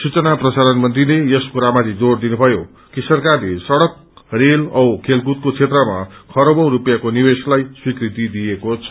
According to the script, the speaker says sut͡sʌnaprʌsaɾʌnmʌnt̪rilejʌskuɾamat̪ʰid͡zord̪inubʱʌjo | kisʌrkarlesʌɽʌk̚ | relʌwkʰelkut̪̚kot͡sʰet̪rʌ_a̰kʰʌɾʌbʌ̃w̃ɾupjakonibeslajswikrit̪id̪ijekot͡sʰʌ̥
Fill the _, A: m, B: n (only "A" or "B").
A